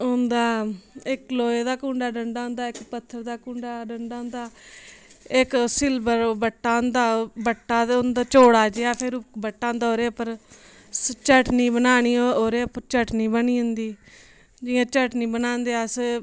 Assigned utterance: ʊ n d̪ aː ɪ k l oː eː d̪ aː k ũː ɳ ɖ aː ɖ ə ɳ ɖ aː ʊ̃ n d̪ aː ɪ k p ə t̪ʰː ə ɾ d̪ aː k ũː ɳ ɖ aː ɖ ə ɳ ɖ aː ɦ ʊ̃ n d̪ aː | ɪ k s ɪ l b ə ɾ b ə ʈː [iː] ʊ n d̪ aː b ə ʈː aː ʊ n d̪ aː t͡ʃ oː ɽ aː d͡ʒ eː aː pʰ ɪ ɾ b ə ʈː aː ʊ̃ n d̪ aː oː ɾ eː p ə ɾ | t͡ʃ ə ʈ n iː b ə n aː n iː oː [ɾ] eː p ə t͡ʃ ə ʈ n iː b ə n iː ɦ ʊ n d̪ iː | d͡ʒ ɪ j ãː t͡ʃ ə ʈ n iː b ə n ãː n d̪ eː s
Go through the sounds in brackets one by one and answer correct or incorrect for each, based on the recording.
incorrect, correct

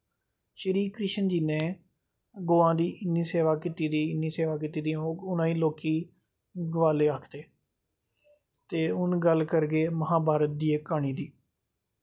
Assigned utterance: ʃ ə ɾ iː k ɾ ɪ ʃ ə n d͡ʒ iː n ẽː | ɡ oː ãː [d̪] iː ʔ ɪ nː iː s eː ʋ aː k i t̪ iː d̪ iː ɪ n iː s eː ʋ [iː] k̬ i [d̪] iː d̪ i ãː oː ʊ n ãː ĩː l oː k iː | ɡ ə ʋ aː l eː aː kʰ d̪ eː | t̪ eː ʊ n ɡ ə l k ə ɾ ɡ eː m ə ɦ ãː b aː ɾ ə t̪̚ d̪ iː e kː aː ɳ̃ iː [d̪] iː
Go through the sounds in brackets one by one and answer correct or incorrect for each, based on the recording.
correct, incorrect, incorrect, correct

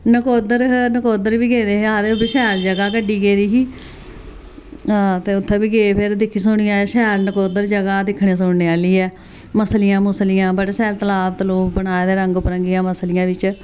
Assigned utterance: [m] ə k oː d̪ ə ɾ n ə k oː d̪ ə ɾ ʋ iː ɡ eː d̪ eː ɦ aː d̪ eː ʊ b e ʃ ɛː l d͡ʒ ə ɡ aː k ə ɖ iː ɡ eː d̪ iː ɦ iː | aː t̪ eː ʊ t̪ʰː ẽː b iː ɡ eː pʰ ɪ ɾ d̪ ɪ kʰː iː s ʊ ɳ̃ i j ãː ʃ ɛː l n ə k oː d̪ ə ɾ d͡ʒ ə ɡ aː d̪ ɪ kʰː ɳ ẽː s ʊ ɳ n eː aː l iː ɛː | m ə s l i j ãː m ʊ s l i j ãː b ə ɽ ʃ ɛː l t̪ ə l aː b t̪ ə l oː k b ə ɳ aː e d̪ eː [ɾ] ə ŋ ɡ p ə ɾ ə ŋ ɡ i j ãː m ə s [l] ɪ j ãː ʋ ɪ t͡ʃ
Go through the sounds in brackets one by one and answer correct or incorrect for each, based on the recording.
incorrect, correct, correct

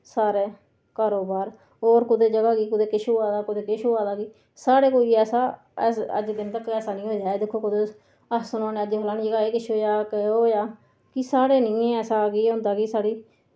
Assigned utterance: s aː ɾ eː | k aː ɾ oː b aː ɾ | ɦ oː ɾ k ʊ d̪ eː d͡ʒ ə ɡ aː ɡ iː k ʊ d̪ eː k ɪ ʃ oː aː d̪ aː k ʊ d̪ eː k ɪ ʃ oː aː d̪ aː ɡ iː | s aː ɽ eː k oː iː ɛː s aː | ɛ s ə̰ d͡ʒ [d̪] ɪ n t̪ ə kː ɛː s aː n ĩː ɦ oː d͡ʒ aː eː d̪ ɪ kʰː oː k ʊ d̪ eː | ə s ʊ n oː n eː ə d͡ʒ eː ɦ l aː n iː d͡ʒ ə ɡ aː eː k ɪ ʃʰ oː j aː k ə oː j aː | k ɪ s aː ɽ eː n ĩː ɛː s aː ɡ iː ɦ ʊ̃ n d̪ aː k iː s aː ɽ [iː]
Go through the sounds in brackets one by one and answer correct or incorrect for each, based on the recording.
correct, correct

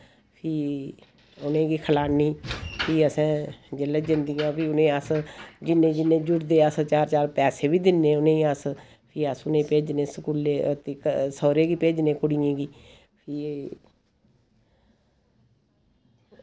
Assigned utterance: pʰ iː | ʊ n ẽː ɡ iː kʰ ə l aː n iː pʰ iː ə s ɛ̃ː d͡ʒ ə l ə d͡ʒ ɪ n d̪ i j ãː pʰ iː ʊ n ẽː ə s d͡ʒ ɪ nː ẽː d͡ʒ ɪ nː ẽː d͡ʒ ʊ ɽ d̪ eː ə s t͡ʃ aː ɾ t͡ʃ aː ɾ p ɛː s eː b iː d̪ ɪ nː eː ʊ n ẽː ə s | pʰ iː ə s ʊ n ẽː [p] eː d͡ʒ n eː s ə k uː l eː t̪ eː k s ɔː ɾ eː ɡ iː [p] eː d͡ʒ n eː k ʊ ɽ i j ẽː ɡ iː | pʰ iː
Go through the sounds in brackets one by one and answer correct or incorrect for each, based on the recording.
correct, correct

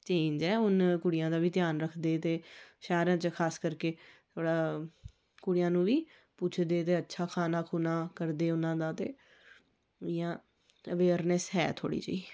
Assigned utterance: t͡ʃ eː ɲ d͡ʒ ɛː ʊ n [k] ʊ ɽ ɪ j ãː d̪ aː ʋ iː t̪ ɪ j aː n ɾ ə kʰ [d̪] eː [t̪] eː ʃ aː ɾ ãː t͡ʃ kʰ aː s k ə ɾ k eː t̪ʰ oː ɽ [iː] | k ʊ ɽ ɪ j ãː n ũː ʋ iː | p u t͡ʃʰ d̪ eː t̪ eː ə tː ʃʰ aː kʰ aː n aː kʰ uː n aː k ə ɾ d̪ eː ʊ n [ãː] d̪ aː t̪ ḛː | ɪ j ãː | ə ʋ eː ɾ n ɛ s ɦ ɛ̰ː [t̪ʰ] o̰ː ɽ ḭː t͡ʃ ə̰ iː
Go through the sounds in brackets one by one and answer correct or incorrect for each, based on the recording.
correct, correct, correct, incorrect, correct, correct

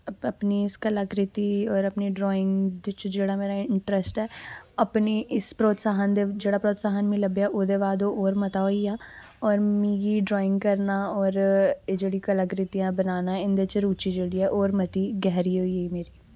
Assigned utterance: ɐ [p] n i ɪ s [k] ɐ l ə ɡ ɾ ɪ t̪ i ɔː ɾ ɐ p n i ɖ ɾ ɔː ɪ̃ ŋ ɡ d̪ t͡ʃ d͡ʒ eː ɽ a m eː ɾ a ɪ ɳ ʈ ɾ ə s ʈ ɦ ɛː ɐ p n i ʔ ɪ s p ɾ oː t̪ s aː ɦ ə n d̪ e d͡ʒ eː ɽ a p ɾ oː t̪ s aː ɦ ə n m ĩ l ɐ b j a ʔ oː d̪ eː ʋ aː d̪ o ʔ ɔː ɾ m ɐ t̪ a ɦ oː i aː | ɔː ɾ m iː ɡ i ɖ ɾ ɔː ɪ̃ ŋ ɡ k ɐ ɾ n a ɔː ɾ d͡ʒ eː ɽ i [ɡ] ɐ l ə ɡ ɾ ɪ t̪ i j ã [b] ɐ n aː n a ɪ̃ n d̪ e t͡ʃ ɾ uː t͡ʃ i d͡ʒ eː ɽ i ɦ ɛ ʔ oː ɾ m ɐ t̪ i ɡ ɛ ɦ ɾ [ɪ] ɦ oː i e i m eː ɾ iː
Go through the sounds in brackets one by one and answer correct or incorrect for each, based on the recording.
correct, correct, incorrect, correct, incorrect

